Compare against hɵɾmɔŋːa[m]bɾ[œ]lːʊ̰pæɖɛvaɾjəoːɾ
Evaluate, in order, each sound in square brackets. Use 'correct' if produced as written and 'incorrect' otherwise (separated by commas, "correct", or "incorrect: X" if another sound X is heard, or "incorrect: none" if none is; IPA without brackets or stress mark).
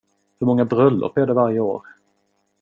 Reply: incorrect: none, correct